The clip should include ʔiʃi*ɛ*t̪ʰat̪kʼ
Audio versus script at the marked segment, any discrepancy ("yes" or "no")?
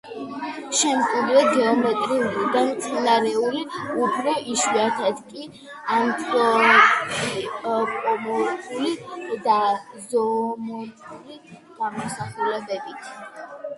yes